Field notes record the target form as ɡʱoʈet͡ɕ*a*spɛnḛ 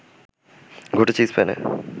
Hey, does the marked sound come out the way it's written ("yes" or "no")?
no